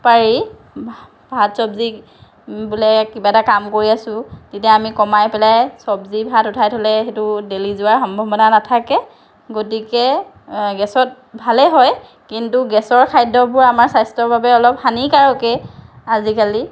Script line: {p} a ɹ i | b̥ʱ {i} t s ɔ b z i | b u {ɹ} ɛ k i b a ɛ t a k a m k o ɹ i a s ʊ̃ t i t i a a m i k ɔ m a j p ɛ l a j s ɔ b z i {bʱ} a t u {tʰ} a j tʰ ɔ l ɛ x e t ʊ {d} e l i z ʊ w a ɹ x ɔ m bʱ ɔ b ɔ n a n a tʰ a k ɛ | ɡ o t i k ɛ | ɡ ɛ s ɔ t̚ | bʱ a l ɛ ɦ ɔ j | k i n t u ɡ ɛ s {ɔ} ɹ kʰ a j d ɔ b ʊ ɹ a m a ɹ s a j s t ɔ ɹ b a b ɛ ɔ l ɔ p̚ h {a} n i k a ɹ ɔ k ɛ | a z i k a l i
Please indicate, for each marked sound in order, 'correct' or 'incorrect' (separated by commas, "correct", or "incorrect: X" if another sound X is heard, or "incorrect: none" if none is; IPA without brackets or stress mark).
correct, incorrect: a, incorrect: l, correct, correct, correct, correct, correct